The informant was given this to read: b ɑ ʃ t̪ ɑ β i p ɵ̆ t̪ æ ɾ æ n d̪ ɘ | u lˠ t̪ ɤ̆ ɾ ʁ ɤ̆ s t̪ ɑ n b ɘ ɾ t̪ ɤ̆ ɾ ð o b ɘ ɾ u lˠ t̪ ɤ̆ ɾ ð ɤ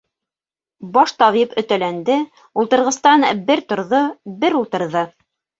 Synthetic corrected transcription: b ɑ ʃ t̪ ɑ β i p ɵ̆ t̪ æ l æ n d̪ ɘ | u lˠ t̪ ɤ̆ ɾ ʁ ɤ̆ s t̪ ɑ n b ɘ ɾ t̪ ŏ ɾ ð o b ɘ ɾ u lˠ t̪ ɤ̆ ɾ ð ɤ

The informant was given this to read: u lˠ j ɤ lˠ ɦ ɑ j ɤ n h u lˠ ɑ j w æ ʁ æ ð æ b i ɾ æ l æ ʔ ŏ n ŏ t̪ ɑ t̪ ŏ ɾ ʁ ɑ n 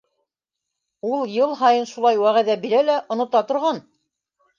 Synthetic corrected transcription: u lˠ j ɤ lˠ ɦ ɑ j ɤ n ʃ u lˠ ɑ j w æ ʁ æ ð æ b i ɾ æ l æ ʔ ŏ n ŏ t̪ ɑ t̪ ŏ ɾ ʁ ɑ n

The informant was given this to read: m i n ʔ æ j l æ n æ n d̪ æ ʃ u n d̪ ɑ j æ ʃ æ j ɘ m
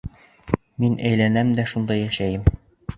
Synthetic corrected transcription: m i n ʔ æ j l æ n æ m d̪ æ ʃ u n d̪ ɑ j æ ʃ æ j ɘ m

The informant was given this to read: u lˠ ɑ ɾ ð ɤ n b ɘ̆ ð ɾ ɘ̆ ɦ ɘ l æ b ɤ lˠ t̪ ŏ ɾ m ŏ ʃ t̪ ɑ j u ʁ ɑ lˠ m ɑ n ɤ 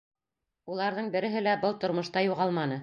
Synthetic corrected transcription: u lˠ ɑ ɾ ð ɤ ɴ b ɘ̆ ɾ ɘ̆ ɦ ɘ l æ b ɤ lˠ t̪ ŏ ɾ m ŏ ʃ t̪ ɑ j u ʁ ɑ lˠ m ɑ n ɤ

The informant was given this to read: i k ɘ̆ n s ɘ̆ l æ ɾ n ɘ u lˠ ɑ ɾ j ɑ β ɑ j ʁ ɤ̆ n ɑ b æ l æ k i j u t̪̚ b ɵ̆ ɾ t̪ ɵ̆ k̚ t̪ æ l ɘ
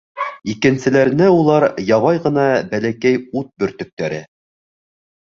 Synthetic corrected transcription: i k ɘ̆ n s ɘ̆ l æ ɾ n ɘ u lˠ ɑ ɾ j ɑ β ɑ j ʁ ɤ̆ n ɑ b æ l æ k æ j u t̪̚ b ɵ̆ ɾ t̪ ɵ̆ k̚ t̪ æ ɾ ɘ

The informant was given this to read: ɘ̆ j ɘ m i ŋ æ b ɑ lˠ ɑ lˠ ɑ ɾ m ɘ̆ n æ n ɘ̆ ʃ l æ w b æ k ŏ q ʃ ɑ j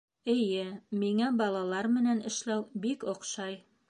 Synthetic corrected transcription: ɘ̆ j ɘ m i ŋ æ b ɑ lˠ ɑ lˠ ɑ ɾ m ɘ̆ n æ n ɘ̆ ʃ l æ w b i k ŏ q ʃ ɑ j

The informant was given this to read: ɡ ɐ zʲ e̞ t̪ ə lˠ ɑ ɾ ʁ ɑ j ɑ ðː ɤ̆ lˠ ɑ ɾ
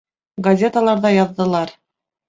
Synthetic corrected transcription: ɡ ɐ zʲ e̞ t̪ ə lˠ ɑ ɾ ð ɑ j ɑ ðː ɤ̆ lˠ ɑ ɾ

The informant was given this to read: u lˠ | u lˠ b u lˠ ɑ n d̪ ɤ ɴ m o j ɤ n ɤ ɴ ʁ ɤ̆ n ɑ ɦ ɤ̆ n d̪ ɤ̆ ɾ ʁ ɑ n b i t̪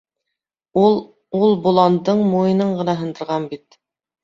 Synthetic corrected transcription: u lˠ | u lˠ b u lˠ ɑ n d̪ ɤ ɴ m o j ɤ n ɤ ɴ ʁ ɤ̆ n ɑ ɦ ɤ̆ n d̪ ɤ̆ ɾ ʁ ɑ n b i t̪

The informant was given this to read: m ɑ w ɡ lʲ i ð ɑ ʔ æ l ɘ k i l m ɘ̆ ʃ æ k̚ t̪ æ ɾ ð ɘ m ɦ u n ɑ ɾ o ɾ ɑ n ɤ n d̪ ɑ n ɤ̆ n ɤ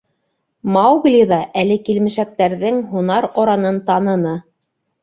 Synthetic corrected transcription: m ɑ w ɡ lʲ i ð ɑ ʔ æ l ɘ k i l m ɘ̆ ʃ æ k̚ t̪ æ ɾ ð ɘ ŋ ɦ u n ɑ ɾ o ɾ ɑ n ɤ n t̪ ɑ n ɤ̆ n ɤ

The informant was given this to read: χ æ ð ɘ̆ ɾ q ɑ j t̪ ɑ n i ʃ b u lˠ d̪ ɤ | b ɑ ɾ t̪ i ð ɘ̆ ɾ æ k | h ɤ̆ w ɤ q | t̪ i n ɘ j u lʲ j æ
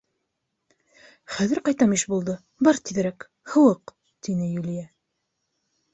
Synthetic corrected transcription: χ æ ð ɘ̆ ɾ q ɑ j t̪ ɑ m i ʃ b u lˠ d̪ ɤ | b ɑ ɾ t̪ i ð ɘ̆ ɾ æ k | h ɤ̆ w ɤ q | t̪ i n ɘ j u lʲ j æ

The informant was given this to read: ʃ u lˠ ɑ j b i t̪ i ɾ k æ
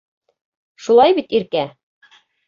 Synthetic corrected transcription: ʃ u lˠ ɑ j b i t̪ i ɾ k æ

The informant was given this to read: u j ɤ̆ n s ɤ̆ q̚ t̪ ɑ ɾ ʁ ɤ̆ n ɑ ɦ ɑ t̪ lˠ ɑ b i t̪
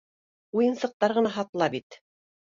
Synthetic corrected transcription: u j ɤ̆ n s ɤ̆ q̚ t̪ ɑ ɾ ʁ ɤ̆ n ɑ ɦ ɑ t̪ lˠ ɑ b i t̪

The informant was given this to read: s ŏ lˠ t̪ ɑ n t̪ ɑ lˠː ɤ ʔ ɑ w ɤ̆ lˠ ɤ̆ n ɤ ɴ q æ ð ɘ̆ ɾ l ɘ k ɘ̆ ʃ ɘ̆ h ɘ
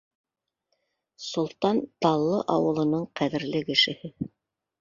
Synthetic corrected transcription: s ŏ lˠ t̪ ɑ n t̪ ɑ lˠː ɤ ʔ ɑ w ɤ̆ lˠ ɤ̆ n ɤ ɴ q æ ð ɘ̆ ɾ l ɘ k ɘ̆ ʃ ɘ̆ h ɘ

